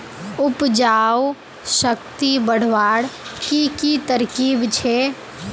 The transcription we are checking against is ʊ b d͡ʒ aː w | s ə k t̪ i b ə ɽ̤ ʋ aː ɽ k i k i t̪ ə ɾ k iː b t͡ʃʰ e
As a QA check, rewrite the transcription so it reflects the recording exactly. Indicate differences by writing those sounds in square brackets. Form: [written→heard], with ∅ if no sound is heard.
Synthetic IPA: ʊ [b→p] d͡ʒ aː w | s ə k t̪ i b ə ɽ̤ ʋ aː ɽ k i k i t̪ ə ɾ k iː b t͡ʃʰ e